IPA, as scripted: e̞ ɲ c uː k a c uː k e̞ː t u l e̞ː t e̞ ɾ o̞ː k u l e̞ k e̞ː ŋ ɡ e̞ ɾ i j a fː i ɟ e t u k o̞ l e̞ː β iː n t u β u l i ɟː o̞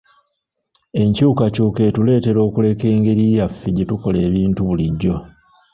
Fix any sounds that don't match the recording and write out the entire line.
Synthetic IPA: e̞ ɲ c uː k a c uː k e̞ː t u l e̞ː t e̞ ɾ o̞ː k u l e̞ k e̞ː ŋ ɡ e̞ ɾ i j a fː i ɟ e t u k o̞ l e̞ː β iː n t u β u l i ɟː o̞